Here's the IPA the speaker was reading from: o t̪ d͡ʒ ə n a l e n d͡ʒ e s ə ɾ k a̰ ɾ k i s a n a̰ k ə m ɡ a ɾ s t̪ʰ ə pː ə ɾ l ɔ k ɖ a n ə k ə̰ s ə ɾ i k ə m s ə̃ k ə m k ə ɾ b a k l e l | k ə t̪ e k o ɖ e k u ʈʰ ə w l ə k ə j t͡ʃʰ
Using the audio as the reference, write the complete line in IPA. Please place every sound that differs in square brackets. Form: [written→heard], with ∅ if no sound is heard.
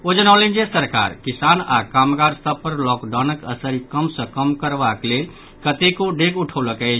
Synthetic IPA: o [t̪→∅] d͡ʒ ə n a l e n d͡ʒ e s ə ɾ k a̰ ɾ k i s a n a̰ k [ə→a] m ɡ a ɾ s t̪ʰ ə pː ə ɾ l ɔ k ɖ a n ə k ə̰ s ə ɾ i k ə m s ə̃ k ə m k ə ɾ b a k l e l | k ə t̪ e k o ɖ e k u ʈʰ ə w l ə k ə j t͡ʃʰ

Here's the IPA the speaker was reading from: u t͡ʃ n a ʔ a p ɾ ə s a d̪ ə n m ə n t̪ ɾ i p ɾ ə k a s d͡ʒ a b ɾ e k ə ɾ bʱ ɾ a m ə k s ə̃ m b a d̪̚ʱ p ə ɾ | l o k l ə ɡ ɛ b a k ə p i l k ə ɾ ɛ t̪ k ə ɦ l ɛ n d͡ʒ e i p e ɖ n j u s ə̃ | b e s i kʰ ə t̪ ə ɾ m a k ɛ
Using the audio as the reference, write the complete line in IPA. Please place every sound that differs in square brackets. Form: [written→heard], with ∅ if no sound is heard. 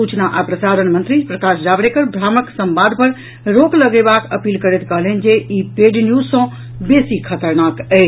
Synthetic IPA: u t͡ʃ n a ʔ a p ɾ ə s a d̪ ə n m ə n t̪ ɾ i p ɾ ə k a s d͡ʒ a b ɾ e k ə ɾ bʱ ɾ a m ə k s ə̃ m b a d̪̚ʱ p ə ɾ | [l→ɾ] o k l ə ɡ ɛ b a k ə p i l k ə ɾ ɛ t̪ k ə ɦ l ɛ n d͡ʒ e i p e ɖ n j u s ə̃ | b e s i kʰ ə t̪ ə ɾ [m→n] a k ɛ

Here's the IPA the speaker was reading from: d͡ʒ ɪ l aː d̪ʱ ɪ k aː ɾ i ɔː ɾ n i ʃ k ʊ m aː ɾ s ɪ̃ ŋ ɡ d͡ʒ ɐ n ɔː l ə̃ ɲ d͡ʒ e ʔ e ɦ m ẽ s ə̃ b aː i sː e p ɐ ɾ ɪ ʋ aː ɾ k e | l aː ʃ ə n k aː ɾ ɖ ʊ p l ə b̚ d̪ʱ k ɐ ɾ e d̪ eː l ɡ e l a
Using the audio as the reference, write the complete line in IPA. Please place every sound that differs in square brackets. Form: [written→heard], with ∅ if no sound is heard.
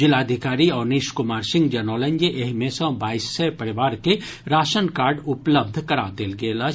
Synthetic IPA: d͡ʒ ɪ l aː d̪ʱ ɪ k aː ɾ i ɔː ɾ n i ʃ k ʊ m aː ɾ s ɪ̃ ŋ ɡ d͡ʒ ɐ n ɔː l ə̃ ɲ d͡ʒ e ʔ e ɦ m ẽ s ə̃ b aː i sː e p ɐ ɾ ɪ ʋ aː ɾ k e | [l→ɾ] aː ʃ ə n k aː ɾ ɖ ʊ p l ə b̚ d̪ʱ k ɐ ɾ [e→a] d̪ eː l ɡ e l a

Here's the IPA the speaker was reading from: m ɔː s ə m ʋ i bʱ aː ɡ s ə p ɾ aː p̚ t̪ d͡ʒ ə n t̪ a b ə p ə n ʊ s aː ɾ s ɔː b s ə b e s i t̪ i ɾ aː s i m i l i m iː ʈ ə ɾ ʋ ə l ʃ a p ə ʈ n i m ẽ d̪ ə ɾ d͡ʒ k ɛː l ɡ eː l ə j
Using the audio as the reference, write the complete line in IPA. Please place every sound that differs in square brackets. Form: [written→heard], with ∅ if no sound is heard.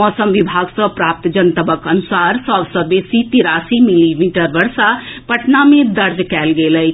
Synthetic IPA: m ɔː s ə m ʋ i bʱ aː ɡ s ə p ɾ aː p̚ t̪ d͡ʒ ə n t̪ [a→ə] b ə [p→k] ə n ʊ s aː ɾ s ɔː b s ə b e s i t̪ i ɾ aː s i m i l i m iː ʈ ə ɾ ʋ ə [l→ɾ] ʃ a p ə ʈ n [i→a] m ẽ d̪ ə ɾ d͡ʒ k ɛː l ɡ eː l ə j

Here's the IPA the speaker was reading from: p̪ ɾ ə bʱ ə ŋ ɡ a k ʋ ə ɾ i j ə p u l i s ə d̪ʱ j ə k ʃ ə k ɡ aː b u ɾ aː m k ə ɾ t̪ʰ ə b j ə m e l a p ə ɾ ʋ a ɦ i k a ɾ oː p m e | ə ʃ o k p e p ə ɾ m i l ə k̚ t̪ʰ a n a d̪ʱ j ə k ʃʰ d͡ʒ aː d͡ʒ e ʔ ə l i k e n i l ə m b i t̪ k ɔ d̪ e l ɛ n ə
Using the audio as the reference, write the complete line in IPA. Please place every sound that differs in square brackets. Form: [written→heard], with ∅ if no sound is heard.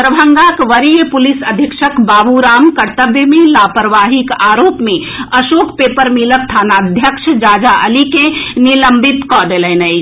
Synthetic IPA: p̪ ɾ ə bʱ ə ŋ ɡ a k ʋ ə ɾ i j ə p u l i s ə d̪ʱ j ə k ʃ ə k [ɡ→b] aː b u ɾ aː m k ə ɾ [t̪ʰ→t̪] ə b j ə m e l a p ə ɾ ʋ a ɦ i k a ɾ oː p m e | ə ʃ o k p e p ə ɾ m i l ə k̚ t̪ʰ a n a d̪ʱ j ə k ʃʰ d͡ʒ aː d͡ʒ [e→a] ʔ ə l i k e n i l ə m b i t̪ k ɔ d̪ e l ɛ n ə

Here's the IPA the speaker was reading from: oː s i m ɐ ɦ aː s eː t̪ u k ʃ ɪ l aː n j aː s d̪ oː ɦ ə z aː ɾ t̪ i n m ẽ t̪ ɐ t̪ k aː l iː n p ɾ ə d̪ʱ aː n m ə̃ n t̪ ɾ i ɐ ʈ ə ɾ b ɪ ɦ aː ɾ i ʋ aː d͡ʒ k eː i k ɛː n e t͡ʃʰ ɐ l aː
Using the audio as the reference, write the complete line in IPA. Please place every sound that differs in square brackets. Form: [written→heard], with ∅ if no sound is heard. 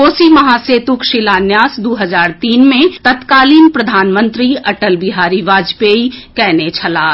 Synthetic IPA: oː s i m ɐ ɦ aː s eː t̪ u k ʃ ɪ l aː n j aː s d̪ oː ɦ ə z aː ɾ t̪ [i→iː] n m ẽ t̪ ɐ t̪ k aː l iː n p ɾ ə d̪ʱ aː n m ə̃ n t̪ ɾ i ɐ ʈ ə [ɾ→l] b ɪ ɦ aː ɾ i ʋ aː d͡ʒ [k→p] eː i k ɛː n e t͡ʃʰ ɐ l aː

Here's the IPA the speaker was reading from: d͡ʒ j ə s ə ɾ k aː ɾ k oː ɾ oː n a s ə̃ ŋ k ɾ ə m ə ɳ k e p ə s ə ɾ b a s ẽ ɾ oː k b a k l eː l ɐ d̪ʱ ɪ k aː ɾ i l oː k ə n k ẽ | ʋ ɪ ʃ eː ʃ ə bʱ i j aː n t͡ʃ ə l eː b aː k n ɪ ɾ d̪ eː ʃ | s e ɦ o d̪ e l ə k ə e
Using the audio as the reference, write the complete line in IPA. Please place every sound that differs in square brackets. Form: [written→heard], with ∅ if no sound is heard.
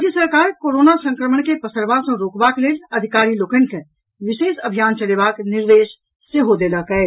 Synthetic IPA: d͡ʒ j ə s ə ɾ k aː ɾ k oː ɾ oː n a s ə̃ ŋ k ɾ ə m ə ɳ k e p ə s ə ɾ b a s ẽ ɾ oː k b a k l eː l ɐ d̪ʱ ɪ k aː ɾ i l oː k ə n k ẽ | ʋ ɪ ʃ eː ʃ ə bʱ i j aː n t͡ʃ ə l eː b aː k n ɪ ɾ d̪ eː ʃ | s e ɦ o d̪ e l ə k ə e

